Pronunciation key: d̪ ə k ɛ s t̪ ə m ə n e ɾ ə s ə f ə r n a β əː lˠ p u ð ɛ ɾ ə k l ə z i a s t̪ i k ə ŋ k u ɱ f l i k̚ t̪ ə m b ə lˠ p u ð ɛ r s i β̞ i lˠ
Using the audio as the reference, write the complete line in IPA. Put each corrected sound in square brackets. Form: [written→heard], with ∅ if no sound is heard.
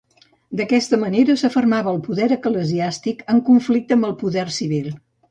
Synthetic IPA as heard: d̪ ə k ɛ s t̪ ə m ə n e ɾ ə s ə f ə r [n→m] a β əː lˠ p u ð ɛ ɾ ə k l ə z i a s t̪ i k ə ŋ k u ɱ f l i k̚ t̪ ə m b ə lˠ p u ð ɛ r s i β̞ i lˠ